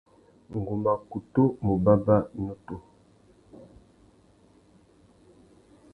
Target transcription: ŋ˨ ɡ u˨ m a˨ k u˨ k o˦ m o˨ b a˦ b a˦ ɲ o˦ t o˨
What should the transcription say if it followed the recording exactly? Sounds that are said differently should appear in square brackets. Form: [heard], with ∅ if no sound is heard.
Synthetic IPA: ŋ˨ ɡ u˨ m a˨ k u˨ [t] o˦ m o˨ b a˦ b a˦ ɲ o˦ t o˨

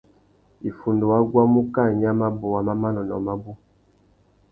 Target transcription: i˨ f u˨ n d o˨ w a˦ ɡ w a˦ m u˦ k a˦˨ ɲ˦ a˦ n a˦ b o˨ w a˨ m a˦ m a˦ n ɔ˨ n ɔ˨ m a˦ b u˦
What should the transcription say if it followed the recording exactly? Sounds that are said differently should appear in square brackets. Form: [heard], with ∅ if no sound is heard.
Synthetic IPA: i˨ f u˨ n d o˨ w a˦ ɡ w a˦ m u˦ k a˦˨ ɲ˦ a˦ [m] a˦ b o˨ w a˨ m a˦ m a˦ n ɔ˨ n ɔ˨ m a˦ b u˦

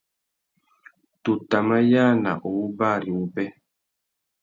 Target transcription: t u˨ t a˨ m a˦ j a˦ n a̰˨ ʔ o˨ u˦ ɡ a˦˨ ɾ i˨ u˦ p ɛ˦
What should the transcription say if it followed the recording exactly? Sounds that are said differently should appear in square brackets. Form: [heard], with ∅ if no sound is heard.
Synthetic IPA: t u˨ t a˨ m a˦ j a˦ n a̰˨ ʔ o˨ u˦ [b] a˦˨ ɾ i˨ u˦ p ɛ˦

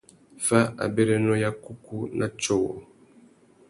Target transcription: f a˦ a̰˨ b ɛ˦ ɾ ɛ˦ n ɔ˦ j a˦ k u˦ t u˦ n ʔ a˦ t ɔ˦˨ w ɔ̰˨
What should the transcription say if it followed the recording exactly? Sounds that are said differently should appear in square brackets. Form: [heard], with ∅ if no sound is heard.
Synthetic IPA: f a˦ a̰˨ b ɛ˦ ɾ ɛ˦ n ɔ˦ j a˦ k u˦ [k] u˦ n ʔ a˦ [t͡ʃ] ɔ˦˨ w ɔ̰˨

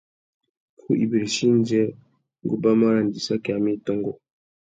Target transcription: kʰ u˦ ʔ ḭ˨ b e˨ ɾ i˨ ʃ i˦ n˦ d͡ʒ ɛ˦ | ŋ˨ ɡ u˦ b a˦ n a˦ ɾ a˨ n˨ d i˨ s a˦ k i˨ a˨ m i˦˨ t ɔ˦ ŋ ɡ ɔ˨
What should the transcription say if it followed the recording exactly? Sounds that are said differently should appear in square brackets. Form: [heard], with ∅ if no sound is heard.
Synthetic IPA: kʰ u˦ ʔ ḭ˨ b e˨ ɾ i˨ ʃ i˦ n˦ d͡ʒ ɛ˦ | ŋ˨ ɡ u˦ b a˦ [m] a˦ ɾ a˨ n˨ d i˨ s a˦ k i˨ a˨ m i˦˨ t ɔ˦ ŋ ɡ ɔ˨

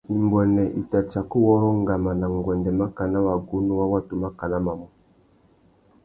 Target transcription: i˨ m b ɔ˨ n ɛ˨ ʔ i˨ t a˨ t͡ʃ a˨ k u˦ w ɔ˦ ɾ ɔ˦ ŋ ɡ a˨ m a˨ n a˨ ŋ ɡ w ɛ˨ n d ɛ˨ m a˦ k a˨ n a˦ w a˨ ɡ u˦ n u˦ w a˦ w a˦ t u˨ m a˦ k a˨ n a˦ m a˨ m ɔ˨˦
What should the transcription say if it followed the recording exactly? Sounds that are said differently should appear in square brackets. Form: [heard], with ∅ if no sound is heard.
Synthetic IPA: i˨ m b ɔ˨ n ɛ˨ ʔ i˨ t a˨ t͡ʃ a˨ k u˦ w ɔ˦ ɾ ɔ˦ ŋ ɡ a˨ m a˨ n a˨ ŋ ɡ w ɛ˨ n d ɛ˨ m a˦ k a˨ n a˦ w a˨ ɡ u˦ n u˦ w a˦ w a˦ t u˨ m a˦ k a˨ n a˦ m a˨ m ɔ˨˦

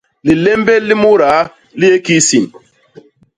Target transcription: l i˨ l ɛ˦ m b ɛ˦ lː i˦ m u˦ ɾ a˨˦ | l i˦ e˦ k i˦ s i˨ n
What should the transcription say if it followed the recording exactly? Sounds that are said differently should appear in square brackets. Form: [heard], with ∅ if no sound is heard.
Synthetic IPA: l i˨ l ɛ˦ m b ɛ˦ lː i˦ m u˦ ɾ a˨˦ | l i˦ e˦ k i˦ s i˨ n

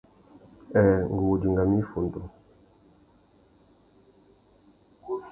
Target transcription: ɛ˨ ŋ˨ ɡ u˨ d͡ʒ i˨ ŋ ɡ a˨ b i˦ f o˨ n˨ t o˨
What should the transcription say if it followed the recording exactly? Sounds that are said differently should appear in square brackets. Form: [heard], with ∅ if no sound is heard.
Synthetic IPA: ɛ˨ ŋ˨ ɡ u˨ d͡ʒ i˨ ŋ ɡ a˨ [m] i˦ f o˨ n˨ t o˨

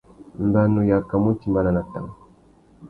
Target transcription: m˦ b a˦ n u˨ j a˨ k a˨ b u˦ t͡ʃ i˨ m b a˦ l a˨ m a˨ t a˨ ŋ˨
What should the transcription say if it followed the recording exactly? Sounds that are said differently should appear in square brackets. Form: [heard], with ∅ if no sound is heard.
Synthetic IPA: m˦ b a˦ n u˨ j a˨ k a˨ [m] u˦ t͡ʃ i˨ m b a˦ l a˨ [n] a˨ t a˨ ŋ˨

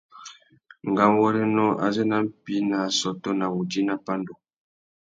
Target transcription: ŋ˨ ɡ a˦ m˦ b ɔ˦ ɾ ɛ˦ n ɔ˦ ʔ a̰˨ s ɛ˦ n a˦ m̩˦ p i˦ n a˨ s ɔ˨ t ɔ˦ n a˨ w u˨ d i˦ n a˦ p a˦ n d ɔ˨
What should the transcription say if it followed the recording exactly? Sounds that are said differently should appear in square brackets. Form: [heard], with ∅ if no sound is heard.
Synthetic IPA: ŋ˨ ɡ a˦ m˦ [w] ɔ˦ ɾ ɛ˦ n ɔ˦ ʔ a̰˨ [z] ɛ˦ n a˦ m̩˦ p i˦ n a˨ s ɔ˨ t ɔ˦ n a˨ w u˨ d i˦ n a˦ p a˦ n d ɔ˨

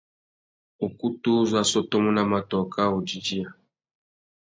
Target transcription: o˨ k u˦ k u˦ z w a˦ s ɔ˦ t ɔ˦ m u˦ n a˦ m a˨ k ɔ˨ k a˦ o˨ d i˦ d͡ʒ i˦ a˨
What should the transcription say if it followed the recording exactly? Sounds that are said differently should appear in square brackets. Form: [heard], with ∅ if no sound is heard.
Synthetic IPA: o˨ k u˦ [t] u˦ z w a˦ s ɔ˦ t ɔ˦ m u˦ n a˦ m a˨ [t] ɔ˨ k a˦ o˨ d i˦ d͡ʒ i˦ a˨

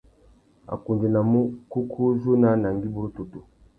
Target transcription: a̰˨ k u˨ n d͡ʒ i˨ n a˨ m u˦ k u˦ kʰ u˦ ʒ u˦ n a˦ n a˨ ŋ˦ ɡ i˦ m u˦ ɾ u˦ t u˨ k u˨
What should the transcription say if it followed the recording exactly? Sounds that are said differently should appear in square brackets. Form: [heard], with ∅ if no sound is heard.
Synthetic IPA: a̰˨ k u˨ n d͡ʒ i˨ n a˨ m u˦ k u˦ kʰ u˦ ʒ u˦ n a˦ n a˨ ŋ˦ ɡ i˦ [b] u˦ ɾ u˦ t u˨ [t] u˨

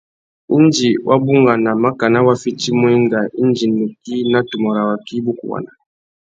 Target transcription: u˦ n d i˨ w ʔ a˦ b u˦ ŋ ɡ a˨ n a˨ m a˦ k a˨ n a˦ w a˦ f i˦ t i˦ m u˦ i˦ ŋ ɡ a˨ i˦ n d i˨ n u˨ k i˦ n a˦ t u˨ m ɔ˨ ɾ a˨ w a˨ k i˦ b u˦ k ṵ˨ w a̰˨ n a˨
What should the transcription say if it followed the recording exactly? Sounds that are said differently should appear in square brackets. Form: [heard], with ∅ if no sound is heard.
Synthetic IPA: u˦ n [d͡ʒ] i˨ w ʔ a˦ b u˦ ŋ ɡ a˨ n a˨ m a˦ k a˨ n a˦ w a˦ f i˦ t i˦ m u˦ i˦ ŋ ɡ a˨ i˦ n [d͡ʒ] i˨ n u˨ k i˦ n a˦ t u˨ m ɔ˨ ɾ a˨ w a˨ k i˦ b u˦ k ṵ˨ w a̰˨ n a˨

